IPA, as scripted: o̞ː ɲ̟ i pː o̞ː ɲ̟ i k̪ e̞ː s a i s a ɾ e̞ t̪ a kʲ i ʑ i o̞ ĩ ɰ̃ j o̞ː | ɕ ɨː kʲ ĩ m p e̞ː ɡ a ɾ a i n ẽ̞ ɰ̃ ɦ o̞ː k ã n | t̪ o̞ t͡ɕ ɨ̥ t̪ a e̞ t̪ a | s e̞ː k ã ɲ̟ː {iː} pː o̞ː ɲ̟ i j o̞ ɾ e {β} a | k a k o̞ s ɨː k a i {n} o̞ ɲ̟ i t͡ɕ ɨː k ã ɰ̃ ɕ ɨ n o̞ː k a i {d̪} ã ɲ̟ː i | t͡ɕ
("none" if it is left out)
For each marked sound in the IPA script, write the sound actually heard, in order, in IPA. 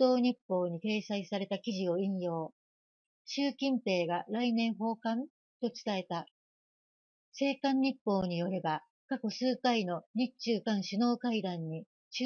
i, b, n, d̪

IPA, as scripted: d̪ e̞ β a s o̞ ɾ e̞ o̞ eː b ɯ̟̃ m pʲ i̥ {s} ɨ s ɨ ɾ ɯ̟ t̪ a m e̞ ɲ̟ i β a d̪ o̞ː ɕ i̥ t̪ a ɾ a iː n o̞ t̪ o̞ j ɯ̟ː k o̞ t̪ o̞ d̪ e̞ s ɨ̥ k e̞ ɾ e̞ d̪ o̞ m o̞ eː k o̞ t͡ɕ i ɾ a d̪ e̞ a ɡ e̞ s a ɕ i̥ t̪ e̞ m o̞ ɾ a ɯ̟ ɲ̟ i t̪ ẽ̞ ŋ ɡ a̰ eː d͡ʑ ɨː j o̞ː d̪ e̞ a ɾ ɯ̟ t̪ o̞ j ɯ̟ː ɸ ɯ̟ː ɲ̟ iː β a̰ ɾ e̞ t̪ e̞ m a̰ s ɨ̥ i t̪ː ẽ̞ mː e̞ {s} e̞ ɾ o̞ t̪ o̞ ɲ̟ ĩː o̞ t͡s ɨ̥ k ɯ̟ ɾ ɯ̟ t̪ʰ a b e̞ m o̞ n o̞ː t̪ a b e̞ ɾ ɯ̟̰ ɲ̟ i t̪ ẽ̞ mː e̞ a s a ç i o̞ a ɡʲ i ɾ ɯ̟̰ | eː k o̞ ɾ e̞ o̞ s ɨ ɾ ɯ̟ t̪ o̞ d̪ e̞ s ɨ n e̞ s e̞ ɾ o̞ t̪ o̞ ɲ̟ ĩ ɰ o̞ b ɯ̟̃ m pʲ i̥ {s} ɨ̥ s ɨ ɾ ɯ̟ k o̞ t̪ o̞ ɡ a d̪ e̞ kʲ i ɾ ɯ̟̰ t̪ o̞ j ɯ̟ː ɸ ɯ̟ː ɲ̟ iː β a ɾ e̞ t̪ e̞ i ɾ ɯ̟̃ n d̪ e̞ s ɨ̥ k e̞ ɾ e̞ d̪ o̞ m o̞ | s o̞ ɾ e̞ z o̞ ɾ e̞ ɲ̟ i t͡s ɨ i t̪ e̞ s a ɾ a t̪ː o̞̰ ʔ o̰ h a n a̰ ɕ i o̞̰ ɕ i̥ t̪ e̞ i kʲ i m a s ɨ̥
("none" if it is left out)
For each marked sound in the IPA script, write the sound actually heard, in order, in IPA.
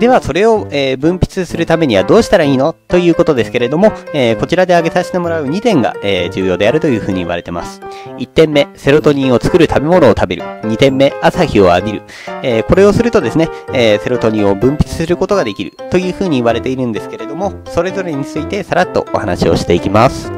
t͡s, s, t͡s

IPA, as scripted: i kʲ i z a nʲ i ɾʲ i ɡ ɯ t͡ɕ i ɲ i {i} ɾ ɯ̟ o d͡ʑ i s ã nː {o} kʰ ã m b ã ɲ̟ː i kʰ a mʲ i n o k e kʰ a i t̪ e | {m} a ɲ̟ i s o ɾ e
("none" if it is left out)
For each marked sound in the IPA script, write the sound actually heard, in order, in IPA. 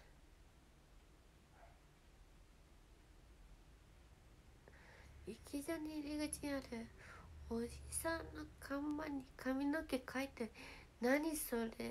a, o, n

